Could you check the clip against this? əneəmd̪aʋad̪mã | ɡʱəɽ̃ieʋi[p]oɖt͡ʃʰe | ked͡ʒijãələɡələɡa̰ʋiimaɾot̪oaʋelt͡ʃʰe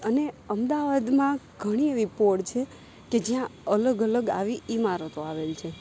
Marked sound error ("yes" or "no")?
no